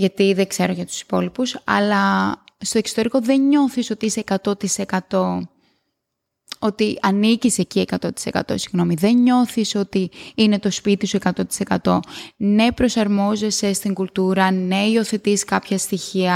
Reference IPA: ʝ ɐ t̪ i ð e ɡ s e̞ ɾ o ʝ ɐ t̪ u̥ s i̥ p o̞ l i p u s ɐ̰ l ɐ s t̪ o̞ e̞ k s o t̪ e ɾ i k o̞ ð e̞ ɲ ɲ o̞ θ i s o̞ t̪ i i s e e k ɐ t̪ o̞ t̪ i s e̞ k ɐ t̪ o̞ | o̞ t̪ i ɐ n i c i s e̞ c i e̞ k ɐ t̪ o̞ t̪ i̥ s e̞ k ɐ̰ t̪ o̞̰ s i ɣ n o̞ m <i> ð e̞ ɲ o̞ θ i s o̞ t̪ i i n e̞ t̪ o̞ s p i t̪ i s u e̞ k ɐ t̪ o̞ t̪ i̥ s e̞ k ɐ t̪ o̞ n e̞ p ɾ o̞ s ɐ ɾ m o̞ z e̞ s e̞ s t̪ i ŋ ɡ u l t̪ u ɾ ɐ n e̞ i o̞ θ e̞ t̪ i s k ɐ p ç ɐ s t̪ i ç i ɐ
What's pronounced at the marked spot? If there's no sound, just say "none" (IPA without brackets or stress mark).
i